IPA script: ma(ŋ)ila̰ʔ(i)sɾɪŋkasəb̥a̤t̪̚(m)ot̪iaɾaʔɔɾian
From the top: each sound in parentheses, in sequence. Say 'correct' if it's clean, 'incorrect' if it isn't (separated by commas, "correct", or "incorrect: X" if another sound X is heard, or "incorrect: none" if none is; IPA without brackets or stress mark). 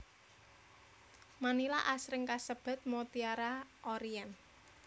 incorrect: n, incorrect: a, correct